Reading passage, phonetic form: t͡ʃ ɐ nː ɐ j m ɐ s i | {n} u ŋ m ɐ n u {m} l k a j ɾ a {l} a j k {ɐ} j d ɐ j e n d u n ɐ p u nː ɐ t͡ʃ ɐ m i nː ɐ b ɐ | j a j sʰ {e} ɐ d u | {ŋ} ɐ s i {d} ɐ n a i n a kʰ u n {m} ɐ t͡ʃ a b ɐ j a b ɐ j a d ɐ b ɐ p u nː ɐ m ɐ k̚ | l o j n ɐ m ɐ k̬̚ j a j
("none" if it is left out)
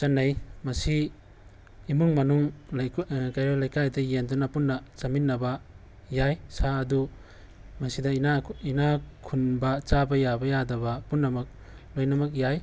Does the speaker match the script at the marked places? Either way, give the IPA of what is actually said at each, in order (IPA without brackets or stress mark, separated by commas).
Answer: m, ŋ, l, a, a, m, d, b